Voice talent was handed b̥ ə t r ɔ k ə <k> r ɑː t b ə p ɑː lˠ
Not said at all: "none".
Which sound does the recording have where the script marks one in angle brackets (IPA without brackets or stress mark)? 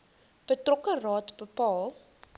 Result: none